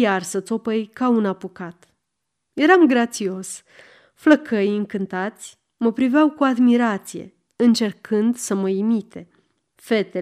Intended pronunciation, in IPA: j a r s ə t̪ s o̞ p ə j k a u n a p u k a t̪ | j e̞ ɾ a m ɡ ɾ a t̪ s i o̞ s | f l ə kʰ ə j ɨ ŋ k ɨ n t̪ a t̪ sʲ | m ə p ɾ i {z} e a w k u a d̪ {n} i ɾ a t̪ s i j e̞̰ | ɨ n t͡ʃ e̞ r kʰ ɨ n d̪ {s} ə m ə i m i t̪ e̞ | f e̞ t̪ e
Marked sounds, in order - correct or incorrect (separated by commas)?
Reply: incorrect, incorrect, correct